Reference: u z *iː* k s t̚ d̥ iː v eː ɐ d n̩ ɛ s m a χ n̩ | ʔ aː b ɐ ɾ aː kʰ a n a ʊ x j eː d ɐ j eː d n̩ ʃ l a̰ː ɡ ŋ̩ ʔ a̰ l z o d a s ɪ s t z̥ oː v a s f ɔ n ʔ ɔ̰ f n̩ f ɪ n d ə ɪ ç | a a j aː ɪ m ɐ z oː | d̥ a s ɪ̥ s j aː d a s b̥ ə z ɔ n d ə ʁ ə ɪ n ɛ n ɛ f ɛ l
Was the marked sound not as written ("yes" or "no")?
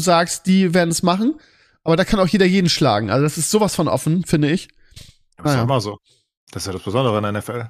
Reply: yes